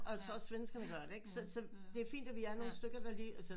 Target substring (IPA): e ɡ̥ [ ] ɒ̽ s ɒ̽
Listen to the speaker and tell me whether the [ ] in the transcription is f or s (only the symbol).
s